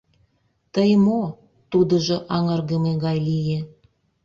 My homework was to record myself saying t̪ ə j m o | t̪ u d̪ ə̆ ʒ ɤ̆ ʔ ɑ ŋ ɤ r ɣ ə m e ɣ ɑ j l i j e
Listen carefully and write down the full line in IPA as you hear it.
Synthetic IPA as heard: t̪ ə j m o | t̪ u d̪ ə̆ ʒ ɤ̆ ʔ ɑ ŋ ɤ r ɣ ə m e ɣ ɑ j l i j e